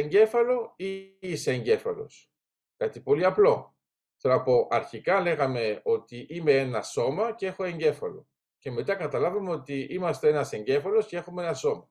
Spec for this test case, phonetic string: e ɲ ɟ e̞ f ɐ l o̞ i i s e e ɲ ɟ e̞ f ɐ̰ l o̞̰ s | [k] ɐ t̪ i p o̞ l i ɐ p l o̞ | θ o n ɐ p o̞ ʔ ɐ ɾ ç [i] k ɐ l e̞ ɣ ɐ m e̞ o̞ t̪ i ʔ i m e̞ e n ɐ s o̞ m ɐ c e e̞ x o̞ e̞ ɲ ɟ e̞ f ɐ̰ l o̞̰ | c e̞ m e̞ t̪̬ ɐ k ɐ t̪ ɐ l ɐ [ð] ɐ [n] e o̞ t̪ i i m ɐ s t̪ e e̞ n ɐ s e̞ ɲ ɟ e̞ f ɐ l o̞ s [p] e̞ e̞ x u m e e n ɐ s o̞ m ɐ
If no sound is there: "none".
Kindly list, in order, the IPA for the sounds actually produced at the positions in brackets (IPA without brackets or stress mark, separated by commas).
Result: k, i, v, m, c